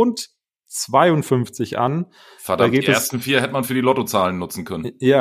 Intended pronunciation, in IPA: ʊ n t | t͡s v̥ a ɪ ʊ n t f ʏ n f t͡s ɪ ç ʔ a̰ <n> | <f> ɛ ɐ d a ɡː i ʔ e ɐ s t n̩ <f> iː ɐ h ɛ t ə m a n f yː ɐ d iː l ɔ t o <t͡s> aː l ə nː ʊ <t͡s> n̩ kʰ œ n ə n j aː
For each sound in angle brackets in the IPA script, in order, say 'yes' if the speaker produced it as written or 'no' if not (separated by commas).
yes, yes, yes, yes, yes